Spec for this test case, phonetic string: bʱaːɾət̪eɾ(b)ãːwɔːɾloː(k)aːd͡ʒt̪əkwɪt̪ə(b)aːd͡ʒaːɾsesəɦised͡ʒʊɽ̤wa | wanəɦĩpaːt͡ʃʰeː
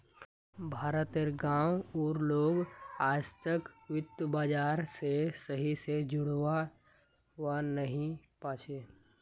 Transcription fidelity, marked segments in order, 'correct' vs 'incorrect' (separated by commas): incorrect, incorrect, correct